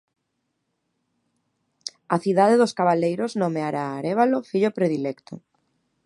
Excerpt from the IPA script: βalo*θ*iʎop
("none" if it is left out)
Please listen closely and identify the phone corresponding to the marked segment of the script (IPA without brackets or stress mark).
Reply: f